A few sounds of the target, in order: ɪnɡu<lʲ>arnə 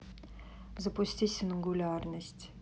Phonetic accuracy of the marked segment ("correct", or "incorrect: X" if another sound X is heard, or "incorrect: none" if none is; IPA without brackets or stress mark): correct